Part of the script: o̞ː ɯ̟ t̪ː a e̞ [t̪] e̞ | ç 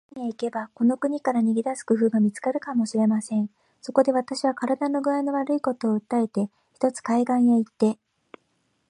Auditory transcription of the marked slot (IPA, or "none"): t̪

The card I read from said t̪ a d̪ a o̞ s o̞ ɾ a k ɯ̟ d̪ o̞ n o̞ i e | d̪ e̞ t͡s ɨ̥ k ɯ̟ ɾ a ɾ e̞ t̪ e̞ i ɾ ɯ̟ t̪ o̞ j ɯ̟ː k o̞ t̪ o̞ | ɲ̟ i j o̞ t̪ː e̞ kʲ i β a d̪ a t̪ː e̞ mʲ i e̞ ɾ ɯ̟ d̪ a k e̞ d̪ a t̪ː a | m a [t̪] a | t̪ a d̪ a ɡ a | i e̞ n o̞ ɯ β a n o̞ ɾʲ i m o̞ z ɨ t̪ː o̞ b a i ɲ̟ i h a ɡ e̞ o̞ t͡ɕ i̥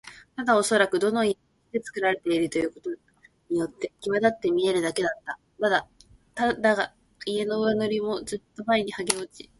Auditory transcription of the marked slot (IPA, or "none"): d̪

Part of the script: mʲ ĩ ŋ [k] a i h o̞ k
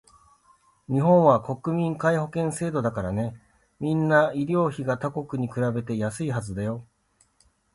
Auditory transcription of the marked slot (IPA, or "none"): k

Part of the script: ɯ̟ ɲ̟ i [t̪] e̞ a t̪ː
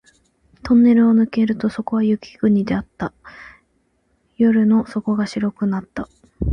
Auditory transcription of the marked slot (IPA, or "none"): d̪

